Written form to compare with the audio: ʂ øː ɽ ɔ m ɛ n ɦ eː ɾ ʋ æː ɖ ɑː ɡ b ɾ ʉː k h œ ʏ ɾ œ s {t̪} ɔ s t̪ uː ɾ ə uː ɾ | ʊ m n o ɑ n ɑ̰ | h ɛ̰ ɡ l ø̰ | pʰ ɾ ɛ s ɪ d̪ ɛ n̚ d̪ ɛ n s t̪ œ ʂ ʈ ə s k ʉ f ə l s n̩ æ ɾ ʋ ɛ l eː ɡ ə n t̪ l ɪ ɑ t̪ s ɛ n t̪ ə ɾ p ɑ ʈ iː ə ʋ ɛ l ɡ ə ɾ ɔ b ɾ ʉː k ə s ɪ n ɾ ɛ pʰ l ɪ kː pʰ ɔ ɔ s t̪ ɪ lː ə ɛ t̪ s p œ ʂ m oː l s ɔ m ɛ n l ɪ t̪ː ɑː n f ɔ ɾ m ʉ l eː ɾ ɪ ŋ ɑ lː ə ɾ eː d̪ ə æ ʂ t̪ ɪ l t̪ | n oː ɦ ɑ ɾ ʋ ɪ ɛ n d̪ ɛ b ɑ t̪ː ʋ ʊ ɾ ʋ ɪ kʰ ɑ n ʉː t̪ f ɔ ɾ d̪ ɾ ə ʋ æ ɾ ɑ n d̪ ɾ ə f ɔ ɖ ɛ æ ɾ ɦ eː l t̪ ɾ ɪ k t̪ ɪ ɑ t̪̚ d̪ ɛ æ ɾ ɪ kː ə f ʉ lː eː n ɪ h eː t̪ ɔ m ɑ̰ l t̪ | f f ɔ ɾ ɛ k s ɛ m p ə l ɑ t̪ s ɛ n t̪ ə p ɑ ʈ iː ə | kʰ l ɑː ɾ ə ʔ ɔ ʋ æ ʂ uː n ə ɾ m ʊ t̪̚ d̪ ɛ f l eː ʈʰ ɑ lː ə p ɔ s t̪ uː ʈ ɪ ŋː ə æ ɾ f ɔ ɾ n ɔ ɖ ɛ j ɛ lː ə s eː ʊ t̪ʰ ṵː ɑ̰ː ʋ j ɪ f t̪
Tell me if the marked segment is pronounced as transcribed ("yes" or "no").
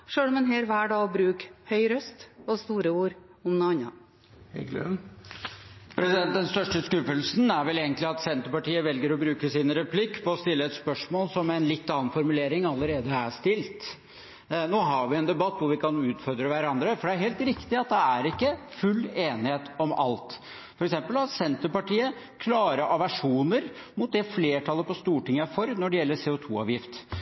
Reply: yes